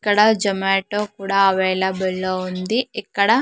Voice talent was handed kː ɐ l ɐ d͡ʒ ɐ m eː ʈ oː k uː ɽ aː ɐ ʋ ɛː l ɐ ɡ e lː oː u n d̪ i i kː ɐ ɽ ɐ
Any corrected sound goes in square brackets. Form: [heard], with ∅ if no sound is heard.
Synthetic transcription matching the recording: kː ɐ [ɽ] ɐ d͡ʒ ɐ m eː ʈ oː k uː ɽ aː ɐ ʋ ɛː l ɐ [b] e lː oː u n d̪ i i kː ɐ ɽ ɐ

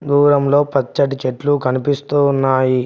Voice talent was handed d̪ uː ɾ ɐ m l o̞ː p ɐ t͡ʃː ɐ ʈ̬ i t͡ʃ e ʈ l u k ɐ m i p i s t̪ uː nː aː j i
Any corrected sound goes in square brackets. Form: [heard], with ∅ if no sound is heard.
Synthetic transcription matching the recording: d̪ uː ɾ ɐ m l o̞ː p ɐ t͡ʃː ɐ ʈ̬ i t͡ʃ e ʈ l u k ɐ [n] i p i s t̪ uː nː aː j i

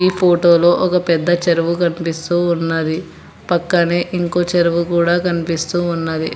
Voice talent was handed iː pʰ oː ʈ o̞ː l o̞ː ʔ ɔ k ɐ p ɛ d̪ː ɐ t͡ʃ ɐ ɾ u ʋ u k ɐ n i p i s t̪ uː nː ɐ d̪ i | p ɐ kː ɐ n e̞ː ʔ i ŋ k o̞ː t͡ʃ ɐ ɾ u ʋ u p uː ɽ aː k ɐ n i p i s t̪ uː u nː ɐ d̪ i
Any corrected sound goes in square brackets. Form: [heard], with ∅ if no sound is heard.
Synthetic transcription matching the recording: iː pʰ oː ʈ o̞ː l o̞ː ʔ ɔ k ɐ p ɛ d̪ː ɐ t͡ʃ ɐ ɾ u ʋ u k ɐ n i p i s t̪ uː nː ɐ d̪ i | p ɐ kː ɐ n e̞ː ʔ i ŋ k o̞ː t͡ʃ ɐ ɾ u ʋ u [k] uː ɽ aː k ɐ n i p i s t̪ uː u nː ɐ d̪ i

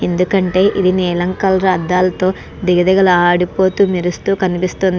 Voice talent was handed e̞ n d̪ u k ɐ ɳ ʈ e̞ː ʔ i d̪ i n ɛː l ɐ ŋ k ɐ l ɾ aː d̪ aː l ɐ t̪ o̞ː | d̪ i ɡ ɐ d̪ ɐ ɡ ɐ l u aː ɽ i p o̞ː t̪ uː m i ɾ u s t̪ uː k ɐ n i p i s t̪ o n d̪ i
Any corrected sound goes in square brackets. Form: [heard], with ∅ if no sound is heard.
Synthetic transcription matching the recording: e̞ n d̪ u k ɐ ɳ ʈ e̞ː ʔ i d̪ i n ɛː l ɐ ŋ k ɐ l ɾ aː d̪ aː l ɐ t̪ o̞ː | d̪ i ɡ ɐ d̪ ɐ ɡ ɐ l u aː ɽ i p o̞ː t̪ uː m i ɾ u s t̪ uː k ɐ n i p i s t̪ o n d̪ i

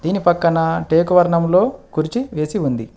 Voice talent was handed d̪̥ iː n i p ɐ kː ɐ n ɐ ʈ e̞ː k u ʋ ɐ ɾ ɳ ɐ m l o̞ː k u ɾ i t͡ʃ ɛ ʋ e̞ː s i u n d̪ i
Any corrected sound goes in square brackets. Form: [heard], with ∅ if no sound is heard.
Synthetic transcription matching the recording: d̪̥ iː n i p ɐ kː ɐ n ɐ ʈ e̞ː k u ʋ ɐ ɾ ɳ ɐ m l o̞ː k u ɾ i t͡ʃ [i] ʋ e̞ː s i u n d̪ i

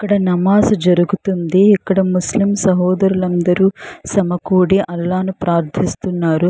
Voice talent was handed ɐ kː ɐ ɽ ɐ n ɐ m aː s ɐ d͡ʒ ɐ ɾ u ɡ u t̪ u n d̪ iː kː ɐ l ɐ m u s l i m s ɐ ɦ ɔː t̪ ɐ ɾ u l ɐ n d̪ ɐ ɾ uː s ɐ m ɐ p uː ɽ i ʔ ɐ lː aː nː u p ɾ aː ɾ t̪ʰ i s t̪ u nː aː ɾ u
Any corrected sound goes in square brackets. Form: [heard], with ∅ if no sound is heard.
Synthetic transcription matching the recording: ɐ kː ɐ ɽ ɐ n ɐ m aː s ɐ d͡ʒ ɐ ɾ u ɡ u t̪ u n d̪ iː kː ɐ [ɽ] ɐ m u s l i m s ɐ ɦ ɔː [d̪] ɐ ɾ u l ɐ n d̪ ɐ ɾ uː s ɐ m ɐ [k] uː ɽ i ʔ ɐ lː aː [n] u p ɾ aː ɾ t̪ʰ i s t̪ u nː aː ɾ u

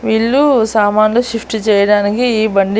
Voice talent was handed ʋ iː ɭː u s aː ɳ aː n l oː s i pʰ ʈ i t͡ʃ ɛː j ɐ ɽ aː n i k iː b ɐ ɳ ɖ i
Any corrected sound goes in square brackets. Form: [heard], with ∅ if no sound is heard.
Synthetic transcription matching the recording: ʋ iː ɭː u s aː [m] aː n l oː [ʃ] i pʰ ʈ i t͡ʃ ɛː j ɐ ɽ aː n i k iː b ɐ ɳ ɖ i

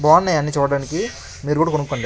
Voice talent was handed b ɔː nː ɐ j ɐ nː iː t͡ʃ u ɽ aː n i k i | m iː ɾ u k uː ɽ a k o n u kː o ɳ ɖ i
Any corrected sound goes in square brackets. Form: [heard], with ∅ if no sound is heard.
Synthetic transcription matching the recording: b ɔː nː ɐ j ɐ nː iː t͡ʃ [uː] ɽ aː n i k i | m iː ɾ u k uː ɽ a k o n u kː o ɳ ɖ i

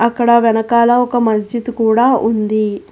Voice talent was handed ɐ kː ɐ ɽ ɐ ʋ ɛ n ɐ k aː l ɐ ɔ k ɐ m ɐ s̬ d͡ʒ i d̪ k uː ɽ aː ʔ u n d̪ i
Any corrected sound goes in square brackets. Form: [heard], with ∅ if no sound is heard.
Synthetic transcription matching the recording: ɐ kː ɐ ɽ ɐ ʋ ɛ n ɐ k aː l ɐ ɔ k ɐ m ɐ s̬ d͡ʒ i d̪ k uː ɽ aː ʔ u n d̪ i

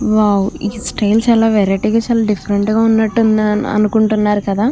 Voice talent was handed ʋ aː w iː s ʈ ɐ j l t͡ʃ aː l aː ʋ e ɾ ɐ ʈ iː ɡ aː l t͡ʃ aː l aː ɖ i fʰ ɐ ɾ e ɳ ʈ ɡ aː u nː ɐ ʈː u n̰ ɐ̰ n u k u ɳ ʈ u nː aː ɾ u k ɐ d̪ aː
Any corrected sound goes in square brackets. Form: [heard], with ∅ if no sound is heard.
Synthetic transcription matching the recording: ʋ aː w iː s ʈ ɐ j l t͡ʃ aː l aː ʋ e ɾ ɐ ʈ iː ɡ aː [∅] t͡ʃ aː l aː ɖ i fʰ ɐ ɾ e ɳ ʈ ɡ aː u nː ɐ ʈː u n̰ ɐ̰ n u k u ɳ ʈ u nː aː ɾ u k ɐ d̪ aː

